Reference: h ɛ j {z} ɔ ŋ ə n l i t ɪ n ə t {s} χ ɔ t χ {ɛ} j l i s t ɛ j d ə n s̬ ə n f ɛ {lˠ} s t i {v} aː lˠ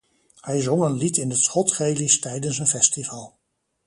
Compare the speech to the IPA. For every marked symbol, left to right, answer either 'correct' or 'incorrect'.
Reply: correct, correct, incorrect, incorrect, correct

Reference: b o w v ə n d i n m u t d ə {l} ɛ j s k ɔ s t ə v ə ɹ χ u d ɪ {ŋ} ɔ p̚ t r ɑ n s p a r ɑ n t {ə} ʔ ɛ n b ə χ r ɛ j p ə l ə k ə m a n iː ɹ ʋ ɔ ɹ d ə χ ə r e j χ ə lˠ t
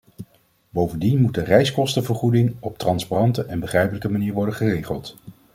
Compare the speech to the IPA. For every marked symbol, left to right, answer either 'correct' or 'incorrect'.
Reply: incorrect, correct, correct

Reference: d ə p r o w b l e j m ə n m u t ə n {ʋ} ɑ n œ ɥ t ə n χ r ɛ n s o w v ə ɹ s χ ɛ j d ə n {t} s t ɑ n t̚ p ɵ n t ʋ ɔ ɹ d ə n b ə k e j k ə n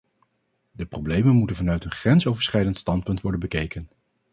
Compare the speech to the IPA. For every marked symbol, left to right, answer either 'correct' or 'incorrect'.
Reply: incorrect, correct

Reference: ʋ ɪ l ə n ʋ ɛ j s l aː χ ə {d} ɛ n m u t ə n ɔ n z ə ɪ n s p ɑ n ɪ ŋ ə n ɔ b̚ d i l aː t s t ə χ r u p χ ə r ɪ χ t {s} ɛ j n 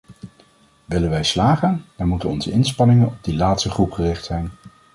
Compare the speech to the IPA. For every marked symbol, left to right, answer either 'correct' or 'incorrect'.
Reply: incorrect, correct

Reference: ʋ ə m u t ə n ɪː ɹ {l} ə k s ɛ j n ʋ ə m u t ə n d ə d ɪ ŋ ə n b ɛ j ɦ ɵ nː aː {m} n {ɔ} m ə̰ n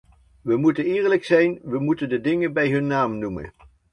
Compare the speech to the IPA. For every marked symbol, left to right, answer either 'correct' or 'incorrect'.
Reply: correct, correct, incorrect

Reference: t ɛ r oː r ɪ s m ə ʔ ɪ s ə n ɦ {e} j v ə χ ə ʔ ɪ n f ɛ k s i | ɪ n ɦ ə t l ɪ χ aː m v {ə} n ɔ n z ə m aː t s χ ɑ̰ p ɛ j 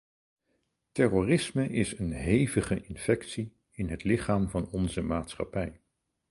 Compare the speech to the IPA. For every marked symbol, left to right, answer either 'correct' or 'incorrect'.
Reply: correct, incorrect

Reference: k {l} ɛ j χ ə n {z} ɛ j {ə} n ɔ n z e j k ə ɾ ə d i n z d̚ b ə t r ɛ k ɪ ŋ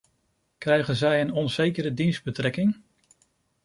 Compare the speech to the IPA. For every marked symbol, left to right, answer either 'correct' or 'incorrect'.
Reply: incorrect, correct, correct

